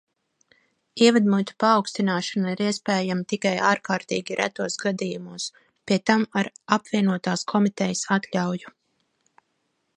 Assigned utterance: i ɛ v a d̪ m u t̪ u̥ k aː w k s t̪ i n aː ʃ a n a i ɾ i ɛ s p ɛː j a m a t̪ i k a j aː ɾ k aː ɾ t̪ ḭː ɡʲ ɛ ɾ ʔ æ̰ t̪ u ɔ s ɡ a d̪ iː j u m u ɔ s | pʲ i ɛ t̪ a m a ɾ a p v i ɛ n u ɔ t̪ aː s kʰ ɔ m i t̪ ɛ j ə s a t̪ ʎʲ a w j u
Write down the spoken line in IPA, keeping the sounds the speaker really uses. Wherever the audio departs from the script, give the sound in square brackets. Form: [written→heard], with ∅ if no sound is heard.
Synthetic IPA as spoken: i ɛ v a d̪ m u t̪ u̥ [k→p] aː w k s t̪ i n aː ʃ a n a i ɾ i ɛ s p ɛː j a m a t̪ i k a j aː ɾ k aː ɾ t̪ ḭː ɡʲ [ɛ→i] ɾ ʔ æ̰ t̪ u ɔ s ɡ a d̪ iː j u m u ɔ s | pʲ i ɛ t̪ a m a ɾ a p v i ɛ n u ɔ t̪ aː s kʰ ɔ m i t̪ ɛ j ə s a t̪ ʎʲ a w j u